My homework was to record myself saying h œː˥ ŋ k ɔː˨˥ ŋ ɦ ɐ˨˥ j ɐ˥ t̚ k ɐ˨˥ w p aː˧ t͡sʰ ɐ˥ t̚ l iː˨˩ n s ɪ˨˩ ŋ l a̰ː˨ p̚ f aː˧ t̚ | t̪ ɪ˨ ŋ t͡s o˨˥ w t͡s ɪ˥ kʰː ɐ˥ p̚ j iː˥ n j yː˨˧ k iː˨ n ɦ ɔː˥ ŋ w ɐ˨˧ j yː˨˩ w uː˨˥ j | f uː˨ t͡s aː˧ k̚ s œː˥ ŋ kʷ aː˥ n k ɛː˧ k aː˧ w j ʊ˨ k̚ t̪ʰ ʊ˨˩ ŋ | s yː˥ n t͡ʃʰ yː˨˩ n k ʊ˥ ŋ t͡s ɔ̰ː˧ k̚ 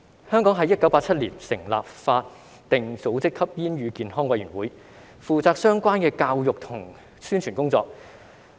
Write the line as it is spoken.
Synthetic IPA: h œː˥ ŋ k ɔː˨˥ ŋ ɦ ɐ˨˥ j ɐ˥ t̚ k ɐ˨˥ w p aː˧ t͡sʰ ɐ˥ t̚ l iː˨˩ n s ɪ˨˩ ŋ l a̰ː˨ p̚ f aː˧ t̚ | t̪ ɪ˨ ŋ t͡s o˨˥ w t͡s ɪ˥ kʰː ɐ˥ p̚ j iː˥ n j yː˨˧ k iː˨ n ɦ ɔː˥ ŋ w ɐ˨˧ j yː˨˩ w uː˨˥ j | f uː˨ t͡s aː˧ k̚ s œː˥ ŋ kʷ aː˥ n k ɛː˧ k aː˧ w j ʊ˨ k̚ t̪ʰ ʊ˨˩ ŋ | s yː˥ n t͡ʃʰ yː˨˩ n k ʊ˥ ŋ t͡s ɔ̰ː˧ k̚